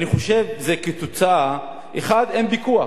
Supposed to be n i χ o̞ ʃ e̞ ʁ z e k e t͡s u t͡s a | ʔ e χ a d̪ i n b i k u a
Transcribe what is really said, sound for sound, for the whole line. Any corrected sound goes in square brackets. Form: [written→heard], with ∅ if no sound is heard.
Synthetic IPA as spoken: n i χ o̞ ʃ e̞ [ʁ→v] z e k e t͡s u t͡s a | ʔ e χ a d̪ [i→e] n b i k u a